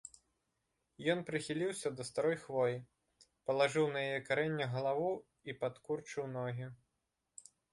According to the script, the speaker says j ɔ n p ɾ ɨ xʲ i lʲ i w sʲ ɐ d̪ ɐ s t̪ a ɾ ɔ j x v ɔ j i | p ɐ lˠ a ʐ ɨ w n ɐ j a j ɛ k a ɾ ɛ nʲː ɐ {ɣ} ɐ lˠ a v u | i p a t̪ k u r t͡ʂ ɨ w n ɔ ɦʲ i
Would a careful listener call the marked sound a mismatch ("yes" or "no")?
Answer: no